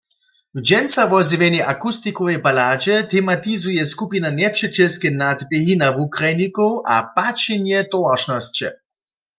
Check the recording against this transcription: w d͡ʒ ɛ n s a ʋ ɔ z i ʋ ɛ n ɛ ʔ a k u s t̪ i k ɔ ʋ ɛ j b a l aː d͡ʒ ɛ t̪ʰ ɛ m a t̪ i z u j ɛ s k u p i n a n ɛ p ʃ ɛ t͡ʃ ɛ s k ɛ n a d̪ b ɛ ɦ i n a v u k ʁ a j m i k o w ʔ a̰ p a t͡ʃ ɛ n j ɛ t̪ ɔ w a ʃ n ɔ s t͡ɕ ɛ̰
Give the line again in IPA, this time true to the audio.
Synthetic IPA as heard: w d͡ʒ ɛ n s a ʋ ɔ z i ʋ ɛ n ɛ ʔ a k u s t̪ i k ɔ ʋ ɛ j b a l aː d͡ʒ ɛ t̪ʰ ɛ m a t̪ i z u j ɛ s k u p i n a n ɛ p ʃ ɛ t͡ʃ ɛ s k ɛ n a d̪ b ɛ ɦ i n a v u k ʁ a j n i k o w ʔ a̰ p a t͡ʃ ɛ n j ɛ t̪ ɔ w a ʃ n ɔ s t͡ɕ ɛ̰